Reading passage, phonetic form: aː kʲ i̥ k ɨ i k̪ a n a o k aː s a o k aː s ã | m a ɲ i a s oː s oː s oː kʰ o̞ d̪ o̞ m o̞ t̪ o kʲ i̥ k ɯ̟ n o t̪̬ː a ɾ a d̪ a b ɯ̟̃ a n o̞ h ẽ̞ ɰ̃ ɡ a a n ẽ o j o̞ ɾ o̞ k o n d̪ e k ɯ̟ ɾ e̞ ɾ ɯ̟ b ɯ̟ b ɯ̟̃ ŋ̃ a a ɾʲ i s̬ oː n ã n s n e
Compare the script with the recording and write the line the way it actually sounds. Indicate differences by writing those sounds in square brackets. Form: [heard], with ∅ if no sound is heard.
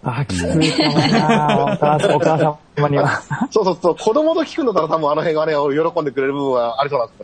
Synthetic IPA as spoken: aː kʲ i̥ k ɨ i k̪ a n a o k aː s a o k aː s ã | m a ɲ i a s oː s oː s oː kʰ o̞ d̪ o̞ m o̞ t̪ o kʲ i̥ k ɯ̟ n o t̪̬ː a ɾ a [t̪] a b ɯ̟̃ a n o̞ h ẽ̞ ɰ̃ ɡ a a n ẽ o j o̞ ɾ o̞ k o n d̪ e k ɯ̟ ɾ e̞ ɾ ɯ̟ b ɯ̟ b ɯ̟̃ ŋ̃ a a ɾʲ i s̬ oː n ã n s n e